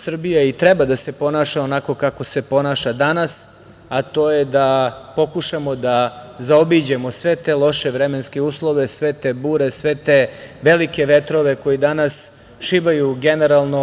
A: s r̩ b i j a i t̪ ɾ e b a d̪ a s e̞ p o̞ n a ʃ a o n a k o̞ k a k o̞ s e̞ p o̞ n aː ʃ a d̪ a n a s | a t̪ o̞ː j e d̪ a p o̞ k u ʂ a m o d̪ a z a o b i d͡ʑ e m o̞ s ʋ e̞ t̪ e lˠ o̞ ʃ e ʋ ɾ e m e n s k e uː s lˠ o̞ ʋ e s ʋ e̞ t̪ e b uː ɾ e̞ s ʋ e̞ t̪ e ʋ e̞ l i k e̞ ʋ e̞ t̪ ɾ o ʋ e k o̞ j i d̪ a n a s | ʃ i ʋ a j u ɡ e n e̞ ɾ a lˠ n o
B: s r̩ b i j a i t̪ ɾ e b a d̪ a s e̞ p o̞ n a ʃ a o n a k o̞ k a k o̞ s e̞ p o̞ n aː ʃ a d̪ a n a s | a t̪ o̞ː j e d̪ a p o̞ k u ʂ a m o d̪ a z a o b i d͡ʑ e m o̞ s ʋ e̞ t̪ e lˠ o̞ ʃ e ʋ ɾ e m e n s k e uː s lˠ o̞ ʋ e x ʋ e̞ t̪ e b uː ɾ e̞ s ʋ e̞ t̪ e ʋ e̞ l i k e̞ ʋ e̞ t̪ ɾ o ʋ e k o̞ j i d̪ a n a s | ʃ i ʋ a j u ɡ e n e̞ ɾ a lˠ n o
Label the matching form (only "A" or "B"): A